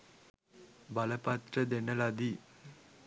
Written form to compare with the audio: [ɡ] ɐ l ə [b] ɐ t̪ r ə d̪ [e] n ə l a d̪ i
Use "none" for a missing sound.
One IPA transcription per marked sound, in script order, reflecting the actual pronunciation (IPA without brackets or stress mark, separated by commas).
b, p, e